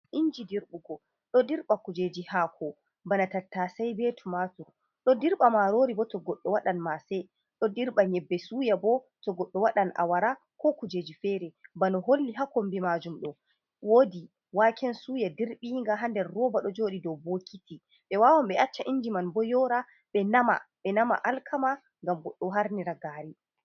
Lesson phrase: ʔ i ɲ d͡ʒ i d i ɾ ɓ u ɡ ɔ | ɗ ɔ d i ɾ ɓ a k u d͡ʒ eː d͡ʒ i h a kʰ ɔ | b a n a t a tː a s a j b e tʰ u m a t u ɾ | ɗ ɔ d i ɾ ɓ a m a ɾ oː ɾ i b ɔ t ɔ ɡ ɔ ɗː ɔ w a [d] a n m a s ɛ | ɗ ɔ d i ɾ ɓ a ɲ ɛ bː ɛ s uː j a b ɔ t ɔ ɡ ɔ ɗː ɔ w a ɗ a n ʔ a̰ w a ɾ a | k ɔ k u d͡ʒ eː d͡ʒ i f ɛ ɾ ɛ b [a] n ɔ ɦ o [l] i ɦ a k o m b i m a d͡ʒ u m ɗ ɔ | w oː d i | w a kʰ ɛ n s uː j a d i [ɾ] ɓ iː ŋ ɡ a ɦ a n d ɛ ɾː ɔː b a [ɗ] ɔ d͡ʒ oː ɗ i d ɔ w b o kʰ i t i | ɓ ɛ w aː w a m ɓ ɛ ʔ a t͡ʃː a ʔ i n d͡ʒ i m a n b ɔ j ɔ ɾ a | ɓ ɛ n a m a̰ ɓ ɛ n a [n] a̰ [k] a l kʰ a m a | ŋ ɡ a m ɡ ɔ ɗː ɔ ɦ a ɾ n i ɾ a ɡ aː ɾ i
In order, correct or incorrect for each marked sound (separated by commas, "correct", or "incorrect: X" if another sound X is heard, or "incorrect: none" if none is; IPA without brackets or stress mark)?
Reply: incorrect: ɗ, correct, incorrect: lː, correct, correct, incorrect: m, incorrect: ʔ